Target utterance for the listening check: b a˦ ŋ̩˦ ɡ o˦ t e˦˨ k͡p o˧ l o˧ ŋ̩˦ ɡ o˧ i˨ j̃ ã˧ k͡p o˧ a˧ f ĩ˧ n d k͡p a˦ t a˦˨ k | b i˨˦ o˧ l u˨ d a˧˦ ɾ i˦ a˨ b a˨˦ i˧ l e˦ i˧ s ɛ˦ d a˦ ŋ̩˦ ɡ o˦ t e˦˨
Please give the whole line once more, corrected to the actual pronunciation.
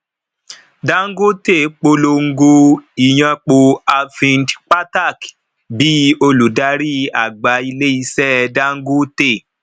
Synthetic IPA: d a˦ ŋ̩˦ ɡ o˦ t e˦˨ k͡p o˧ l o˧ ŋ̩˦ ɡ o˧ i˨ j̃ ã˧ k͡p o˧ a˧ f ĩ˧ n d k͡p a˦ t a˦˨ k | b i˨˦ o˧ l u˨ d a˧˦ ɾ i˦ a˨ ɡ͡b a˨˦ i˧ l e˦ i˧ s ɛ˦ d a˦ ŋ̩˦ ɡ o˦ t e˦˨